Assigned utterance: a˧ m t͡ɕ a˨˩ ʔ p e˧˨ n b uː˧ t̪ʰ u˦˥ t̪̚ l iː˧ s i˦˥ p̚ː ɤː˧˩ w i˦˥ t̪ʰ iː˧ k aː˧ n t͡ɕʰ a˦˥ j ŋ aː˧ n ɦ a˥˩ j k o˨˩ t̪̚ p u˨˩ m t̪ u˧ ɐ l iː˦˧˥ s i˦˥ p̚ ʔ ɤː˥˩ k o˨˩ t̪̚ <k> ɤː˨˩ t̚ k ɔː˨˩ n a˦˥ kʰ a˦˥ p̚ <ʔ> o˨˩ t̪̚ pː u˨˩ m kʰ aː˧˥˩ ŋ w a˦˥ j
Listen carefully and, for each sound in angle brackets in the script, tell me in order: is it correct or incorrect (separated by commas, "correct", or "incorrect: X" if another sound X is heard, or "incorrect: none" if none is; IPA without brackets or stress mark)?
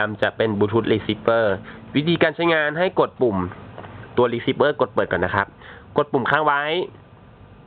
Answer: incorrect: p, incorrect: k